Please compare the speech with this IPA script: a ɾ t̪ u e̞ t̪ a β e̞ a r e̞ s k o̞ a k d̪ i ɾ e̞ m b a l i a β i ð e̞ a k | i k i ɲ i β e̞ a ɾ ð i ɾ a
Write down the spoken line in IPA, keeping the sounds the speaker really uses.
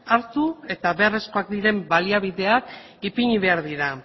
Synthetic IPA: a ɾ t̪ u e̞ t̪ a β e̞ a r e̞ s k o̞ a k d̪ i ɾ e̞ m b a l i a β i ð e̞ a k | i p i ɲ i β e̞ a ɾ ð i ɾ a